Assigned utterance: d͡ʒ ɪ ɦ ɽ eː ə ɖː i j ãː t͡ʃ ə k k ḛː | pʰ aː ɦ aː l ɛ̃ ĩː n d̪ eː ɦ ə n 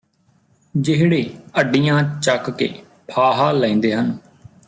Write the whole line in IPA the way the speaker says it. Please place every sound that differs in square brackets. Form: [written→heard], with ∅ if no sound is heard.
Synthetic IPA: d͡ʒ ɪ ɦ ɽ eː ə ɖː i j ãː t͡ʃ ə k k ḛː | pʰ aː ɦ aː l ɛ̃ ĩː n d̪ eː ɦ ə n